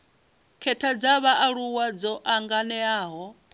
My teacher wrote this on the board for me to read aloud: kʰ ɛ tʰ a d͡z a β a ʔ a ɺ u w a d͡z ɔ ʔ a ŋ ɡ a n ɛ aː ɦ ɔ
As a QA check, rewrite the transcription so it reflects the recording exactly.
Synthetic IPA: kʰ ɛ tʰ a d͡z a β a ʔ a ɺ u w a d͡z ɔ ʔ a ŋ ɡ a n ɛ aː ɦ ɔ